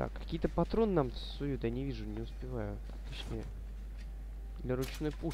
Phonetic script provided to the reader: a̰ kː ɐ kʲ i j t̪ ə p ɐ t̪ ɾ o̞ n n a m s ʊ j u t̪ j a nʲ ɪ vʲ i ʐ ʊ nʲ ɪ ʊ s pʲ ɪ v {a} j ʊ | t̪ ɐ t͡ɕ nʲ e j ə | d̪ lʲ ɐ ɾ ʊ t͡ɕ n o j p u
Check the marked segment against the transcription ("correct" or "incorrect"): correct